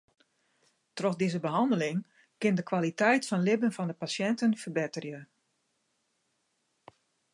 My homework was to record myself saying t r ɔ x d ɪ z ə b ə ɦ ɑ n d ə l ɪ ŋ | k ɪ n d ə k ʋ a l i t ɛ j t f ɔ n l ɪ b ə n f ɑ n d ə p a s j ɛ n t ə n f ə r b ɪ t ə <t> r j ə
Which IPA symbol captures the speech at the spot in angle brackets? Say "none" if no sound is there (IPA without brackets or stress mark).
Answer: none